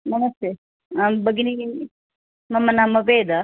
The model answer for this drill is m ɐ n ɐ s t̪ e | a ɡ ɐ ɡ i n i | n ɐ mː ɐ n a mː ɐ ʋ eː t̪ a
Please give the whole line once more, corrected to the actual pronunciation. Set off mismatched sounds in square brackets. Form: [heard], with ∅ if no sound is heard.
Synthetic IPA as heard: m ɐ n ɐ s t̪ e | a [b] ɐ ɡ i n i | [m] ɐ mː ɐ n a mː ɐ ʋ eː [d̪] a